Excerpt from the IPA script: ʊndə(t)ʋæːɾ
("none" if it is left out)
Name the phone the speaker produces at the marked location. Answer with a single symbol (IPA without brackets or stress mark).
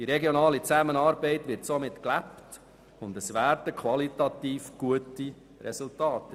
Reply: s